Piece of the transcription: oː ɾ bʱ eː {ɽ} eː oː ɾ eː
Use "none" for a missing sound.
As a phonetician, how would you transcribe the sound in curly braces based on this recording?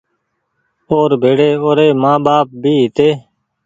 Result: ɽ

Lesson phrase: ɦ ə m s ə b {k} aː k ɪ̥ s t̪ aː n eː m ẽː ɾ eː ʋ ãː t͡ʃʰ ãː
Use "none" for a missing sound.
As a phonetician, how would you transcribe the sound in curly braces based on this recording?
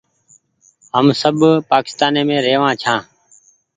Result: p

